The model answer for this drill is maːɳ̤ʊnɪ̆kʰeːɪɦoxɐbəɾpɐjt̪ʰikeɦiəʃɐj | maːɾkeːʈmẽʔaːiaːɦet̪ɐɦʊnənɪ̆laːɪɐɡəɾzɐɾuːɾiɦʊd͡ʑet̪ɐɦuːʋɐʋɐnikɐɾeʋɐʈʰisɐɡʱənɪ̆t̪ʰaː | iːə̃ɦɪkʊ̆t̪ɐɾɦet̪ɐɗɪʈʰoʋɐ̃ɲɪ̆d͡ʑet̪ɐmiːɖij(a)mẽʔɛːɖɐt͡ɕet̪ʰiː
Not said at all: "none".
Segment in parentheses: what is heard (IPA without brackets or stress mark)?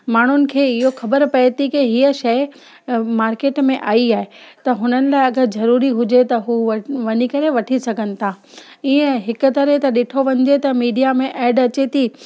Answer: a